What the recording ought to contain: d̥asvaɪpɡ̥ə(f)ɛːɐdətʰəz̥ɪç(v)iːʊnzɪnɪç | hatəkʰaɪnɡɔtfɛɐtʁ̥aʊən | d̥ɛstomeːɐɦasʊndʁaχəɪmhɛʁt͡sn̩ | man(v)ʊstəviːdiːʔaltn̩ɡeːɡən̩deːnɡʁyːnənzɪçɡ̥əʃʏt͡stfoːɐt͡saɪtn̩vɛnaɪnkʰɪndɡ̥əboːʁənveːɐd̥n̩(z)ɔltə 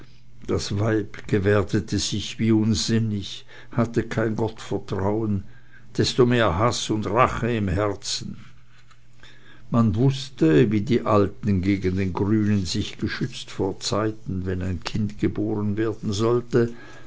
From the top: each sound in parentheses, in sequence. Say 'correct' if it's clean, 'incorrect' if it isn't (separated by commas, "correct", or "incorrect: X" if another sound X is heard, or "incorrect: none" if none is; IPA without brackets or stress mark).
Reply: incorrect: v, correct, correct, correct